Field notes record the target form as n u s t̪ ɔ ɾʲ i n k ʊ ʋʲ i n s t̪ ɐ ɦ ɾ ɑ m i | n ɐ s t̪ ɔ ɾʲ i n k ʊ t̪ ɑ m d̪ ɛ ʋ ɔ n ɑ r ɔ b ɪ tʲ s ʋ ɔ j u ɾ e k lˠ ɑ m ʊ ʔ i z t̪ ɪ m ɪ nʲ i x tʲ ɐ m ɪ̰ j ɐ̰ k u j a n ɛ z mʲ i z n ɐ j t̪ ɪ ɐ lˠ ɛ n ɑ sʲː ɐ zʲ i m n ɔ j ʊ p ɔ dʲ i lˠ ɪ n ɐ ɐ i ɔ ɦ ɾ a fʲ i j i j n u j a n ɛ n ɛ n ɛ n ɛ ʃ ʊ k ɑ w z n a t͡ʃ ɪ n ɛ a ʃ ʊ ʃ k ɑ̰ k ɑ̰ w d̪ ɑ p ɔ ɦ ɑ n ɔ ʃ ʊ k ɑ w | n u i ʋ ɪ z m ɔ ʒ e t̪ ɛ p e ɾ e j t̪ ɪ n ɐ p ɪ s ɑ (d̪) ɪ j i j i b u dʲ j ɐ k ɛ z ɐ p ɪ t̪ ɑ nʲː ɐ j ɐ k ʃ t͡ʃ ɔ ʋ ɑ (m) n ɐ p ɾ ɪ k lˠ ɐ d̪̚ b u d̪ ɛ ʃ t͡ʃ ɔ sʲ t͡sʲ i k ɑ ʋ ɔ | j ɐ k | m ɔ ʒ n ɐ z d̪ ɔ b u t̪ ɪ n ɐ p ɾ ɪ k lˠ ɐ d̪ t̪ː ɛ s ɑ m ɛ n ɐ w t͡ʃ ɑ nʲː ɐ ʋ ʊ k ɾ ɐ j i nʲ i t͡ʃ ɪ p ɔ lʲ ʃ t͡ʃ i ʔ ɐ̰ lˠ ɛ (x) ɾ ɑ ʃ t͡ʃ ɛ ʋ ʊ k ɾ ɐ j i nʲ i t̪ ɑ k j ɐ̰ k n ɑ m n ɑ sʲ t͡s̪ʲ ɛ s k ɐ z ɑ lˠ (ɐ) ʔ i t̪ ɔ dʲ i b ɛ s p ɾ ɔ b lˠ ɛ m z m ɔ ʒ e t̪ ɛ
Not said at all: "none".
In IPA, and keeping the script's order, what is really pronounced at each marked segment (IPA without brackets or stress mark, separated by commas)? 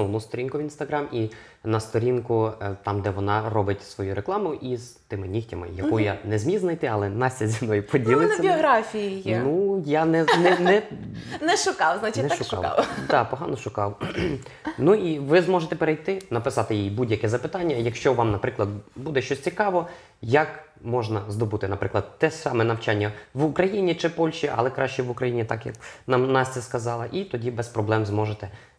t̪, m, k, ɐ